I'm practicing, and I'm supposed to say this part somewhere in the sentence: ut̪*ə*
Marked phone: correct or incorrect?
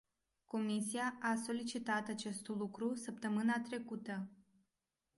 correct